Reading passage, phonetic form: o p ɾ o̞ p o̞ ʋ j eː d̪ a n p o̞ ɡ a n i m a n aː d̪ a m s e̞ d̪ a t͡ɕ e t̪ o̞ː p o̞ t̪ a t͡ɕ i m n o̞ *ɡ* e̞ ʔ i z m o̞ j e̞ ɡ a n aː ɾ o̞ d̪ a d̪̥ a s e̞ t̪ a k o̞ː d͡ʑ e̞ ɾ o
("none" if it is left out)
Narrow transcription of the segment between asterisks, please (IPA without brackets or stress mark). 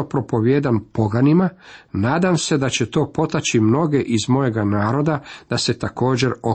ɡ